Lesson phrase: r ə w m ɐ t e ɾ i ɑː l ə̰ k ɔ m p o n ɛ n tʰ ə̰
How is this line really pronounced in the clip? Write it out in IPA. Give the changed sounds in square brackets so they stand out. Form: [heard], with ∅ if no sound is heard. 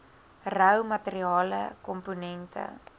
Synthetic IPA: r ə w m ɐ t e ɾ i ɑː l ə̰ k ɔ m p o n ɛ n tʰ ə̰